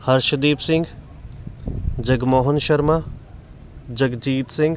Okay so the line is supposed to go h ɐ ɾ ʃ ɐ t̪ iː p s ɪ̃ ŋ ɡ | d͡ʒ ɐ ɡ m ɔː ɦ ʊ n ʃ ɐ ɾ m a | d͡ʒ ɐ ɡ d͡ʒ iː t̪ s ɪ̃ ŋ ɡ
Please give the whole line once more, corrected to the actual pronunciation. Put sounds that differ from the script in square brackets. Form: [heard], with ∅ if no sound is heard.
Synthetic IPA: h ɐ ɾ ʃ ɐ [d̪] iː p s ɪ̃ ŋ ɡ | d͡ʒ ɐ ɡ m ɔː ɦ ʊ n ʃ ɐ ɾ m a | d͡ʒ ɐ ɡ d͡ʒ iː t̪ s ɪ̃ ŋ ɡ